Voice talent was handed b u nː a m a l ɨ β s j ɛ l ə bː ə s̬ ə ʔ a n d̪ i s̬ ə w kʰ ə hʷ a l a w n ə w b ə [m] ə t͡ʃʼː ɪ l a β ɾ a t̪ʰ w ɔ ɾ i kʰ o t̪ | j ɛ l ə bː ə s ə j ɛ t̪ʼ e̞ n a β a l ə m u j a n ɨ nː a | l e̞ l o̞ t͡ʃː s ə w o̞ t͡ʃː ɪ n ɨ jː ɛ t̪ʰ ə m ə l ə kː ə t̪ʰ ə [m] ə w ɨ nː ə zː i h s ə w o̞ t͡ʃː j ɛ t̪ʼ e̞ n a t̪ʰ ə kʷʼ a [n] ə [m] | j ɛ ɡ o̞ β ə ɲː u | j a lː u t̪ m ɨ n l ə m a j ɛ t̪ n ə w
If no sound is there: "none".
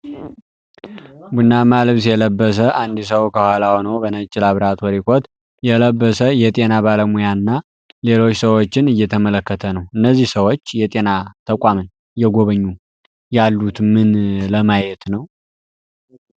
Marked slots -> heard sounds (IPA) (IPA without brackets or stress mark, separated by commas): n, n, m, n